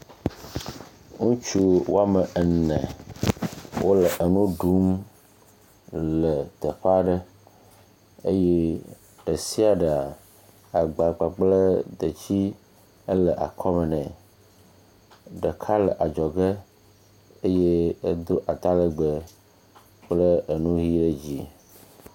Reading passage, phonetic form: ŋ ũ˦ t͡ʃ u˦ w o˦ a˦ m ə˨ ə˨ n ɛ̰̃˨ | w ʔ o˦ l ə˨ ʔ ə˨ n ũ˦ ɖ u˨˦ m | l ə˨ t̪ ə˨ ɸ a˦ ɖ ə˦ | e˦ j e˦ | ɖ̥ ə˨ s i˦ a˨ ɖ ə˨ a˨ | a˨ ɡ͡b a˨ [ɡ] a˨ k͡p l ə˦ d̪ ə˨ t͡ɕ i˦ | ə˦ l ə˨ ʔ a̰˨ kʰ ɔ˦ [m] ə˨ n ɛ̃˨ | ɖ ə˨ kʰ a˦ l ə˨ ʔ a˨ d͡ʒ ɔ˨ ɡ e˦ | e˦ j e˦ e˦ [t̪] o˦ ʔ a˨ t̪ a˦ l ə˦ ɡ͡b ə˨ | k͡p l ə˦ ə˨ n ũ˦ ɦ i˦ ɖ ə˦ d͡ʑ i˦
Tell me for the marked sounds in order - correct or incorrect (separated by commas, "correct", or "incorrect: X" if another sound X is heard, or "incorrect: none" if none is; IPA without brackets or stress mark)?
incorrect: ɡ͡b, correct, incorrect: d̪